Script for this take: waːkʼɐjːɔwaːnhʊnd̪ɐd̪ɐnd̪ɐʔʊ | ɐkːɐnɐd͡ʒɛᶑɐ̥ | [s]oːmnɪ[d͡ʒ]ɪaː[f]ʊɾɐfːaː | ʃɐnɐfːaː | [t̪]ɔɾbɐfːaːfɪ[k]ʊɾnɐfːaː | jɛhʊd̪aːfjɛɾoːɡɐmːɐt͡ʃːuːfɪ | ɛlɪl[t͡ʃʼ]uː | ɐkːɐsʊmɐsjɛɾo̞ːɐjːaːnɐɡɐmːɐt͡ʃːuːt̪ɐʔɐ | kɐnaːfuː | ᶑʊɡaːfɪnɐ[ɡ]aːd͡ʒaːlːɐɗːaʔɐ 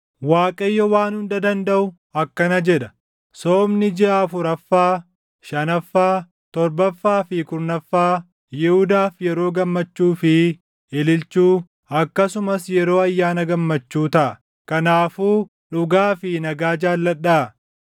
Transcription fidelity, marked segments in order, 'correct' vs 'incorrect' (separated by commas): correct, correct, correct, correct, correct, incorrect, correct